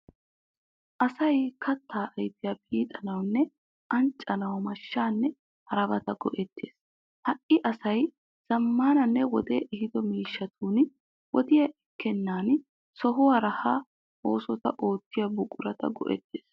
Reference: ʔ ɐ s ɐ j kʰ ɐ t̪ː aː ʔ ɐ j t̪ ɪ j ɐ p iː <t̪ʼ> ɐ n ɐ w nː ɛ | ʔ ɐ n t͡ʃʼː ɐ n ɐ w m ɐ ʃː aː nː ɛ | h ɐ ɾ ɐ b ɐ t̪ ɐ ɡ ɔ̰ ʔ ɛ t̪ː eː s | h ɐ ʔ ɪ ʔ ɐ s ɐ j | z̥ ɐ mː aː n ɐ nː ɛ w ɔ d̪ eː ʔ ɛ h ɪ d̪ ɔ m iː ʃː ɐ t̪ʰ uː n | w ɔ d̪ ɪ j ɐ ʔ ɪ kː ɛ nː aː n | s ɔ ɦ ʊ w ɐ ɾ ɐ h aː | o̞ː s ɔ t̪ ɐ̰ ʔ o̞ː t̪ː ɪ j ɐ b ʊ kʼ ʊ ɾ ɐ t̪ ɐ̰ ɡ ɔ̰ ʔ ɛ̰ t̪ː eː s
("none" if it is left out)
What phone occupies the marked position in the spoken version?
t̪ʼ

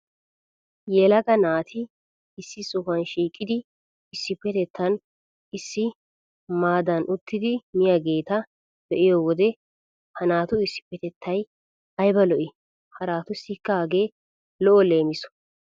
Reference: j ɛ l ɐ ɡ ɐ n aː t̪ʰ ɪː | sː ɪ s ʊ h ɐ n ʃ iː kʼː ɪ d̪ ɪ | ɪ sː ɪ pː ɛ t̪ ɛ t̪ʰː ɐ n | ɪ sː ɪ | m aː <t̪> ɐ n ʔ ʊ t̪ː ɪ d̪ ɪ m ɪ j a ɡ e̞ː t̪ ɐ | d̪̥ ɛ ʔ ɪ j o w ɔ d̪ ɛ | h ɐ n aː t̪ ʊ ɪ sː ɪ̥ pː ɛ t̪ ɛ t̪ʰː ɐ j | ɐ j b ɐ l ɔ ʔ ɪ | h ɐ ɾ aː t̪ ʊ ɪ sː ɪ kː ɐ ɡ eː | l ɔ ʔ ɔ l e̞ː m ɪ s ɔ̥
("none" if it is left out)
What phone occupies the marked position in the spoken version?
d̪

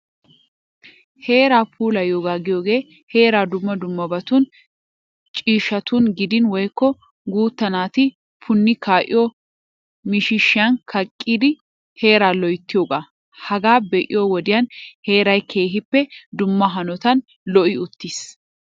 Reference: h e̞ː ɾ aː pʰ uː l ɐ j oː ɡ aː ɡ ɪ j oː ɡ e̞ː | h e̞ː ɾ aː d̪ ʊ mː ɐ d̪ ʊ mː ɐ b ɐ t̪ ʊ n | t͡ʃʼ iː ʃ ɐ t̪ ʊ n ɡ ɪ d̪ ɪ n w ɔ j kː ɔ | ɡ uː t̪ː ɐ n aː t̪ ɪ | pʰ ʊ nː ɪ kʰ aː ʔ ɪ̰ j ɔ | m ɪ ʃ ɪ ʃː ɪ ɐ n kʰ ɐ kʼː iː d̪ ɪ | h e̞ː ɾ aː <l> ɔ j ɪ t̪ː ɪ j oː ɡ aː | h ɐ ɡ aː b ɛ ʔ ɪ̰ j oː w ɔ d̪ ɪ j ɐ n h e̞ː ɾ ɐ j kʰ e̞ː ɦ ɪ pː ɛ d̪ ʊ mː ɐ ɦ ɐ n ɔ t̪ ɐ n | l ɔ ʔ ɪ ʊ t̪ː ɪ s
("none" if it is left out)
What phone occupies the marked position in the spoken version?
l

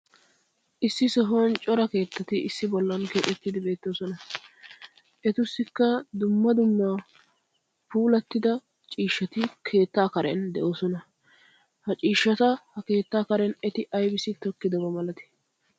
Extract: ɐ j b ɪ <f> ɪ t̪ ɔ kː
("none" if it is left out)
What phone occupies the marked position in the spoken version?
s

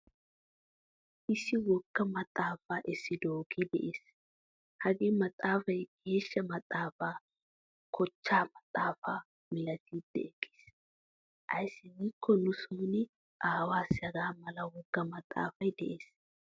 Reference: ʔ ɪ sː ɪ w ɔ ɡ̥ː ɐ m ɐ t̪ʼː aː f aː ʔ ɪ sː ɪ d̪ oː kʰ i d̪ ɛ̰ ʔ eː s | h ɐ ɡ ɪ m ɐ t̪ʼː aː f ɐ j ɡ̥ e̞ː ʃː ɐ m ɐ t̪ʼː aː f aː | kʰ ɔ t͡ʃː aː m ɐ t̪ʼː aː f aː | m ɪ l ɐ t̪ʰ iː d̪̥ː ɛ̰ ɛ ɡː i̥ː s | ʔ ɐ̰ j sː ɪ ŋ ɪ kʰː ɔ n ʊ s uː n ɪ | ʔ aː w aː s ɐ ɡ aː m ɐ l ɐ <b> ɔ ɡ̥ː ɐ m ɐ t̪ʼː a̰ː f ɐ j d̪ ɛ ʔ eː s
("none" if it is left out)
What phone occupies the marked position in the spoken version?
w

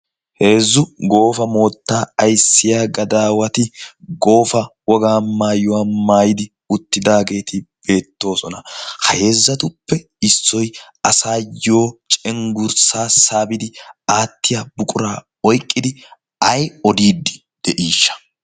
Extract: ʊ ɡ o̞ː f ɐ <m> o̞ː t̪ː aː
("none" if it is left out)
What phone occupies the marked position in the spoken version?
m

